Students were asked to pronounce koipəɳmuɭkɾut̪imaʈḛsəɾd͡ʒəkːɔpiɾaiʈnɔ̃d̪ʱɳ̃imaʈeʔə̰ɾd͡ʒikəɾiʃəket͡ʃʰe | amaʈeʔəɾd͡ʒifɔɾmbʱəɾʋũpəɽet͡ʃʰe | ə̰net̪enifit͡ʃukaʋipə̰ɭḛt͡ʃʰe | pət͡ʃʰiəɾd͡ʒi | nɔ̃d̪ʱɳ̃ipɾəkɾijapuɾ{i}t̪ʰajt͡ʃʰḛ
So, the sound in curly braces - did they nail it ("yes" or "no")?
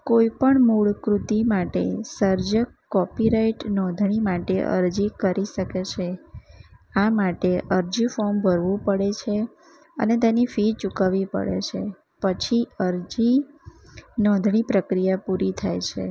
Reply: yes